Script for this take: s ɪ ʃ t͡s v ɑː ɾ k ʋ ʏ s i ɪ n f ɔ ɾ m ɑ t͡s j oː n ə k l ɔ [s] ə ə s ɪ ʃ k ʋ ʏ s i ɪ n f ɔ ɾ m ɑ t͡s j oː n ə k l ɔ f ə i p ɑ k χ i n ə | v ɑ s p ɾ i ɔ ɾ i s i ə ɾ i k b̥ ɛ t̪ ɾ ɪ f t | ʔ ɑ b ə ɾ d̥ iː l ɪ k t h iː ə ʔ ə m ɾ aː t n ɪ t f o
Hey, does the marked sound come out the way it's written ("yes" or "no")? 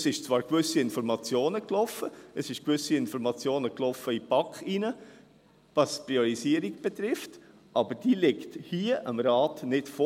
no